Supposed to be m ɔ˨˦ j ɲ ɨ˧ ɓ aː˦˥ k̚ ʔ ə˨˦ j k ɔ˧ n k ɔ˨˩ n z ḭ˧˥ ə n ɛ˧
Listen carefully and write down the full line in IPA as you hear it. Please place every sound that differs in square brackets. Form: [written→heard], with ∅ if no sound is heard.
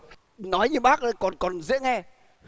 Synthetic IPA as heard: [m→n] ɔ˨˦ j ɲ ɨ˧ ɓ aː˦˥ k̚ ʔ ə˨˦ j k [ɔ˧→ɔ˨˩] n k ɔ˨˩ n z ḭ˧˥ ə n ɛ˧